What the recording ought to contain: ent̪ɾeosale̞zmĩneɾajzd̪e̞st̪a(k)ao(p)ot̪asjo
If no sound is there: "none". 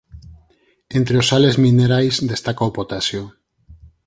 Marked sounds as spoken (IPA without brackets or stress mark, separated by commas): k, p